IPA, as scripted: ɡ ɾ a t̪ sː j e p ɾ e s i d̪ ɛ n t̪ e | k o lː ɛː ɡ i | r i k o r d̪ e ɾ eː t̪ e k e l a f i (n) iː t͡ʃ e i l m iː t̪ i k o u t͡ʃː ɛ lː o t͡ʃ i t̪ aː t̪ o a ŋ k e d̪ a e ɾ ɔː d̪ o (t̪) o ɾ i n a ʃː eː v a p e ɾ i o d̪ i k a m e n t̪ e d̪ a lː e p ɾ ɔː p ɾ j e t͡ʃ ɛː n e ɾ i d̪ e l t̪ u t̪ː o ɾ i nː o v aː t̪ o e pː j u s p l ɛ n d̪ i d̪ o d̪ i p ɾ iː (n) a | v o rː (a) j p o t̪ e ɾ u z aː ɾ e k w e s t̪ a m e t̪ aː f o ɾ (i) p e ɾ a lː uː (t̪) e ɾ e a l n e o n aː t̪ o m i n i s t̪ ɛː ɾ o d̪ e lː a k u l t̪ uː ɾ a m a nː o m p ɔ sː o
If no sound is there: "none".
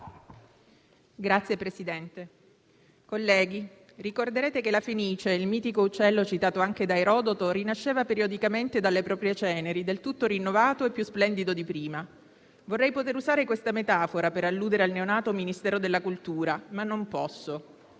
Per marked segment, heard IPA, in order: n, t̪, m, ɛ, a, d̪

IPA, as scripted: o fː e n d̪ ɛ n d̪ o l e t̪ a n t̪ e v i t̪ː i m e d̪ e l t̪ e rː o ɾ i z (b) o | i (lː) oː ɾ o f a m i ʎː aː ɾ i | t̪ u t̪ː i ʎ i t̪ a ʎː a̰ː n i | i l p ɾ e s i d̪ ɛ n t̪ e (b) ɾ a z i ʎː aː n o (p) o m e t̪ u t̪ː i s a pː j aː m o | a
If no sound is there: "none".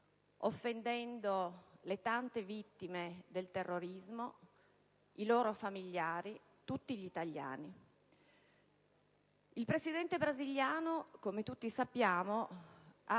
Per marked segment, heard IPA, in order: m, l, b, k

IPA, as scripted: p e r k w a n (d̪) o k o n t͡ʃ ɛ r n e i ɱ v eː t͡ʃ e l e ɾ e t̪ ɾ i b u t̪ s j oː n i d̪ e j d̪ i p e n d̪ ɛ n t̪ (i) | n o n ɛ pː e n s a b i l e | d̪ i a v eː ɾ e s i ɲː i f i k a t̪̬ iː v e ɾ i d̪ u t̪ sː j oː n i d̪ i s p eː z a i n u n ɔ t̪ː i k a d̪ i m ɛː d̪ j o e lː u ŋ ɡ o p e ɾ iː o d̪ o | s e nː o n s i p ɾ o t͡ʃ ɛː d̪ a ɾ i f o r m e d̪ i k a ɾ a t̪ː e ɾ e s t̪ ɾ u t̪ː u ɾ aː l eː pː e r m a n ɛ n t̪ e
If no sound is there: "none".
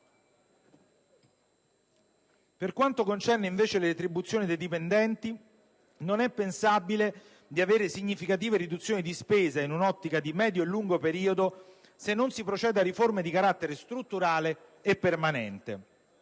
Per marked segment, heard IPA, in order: t̪, i

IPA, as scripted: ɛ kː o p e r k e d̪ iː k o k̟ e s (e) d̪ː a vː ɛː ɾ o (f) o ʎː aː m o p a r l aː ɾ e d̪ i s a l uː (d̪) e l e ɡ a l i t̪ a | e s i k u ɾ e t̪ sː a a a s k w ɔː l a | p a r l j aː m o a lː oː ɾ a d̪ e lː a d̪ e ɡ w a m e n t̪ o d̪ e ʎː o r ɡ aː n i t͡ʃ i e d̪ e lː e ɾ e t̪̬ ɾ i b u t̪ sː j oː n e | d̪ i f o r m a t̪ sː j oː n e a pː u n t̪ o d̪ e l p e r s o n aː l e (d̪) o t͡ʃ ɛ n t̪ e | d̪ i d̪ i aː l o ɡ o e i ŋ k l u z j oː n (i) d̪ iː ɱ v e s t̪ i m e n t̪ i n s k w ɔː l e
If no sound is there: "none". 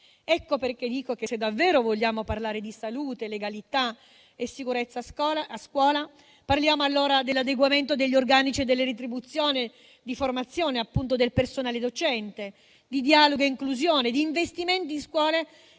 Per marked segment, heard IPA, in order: e, v, t̪, d̪, e

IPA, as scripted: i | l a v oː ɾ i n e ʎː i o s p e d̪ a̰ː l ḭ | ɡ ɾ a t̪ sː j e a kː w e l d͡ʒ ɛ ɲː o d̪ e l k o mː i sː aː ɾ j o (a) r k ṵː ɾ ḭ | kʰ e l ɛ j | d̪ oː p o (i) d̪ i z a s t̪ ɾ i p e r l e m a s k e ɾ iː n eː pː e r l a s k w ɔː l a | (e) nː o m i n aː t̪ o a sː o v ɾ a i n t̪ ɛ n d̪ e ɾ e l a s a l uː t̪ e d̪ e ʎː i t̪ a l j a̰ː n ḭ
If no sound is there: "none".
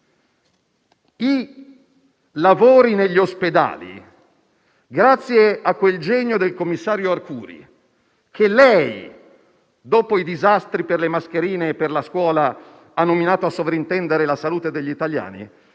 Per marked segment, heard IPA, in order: a, i, a

